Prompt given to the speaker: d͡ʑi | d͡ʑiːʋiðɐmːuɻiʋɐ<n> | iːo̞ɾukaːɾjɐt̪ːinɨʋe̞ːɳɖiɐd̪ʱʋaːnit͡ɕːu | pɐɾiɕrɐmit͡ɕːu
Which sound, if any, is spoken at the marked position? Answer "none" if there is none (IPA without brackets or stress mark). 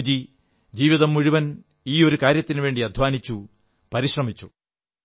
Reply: n